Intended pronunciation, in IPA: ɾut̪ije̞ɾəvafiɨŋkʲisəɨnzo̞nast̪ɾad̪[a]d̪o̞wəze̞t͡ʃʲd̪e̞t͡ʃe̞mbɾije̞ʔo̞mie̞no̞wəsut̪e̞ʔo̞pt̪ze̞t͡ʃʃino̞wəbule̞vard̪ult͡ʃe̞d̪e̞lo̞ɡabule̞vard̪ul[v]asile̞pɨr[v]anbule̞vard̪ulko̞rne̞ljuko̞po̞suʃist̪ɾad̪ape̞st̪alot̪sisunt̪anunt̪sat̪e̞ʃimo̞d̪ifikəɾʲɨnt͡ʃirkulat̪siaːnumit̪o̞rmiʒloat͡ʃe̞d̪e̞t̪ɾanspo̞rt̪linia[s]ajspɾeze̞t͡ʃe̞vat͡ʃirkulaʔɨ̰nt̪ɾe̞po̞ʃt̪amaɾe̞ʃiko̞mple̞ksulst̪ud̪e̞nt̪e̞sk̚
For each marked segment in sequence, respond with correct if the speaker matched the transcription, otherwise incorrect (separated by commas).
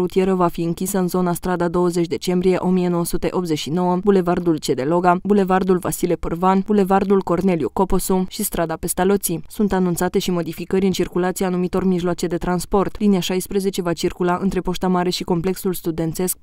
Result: correct, correct, correct, incorrect